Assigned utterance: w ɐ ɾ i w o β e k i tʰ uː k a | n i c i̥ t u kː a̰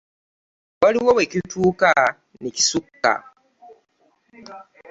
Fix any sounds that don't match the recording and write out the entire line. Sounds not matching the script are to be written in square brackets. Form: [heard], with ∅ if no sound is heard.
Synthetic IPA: w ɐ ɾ i w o [w] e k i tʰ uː k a | n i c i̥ [s] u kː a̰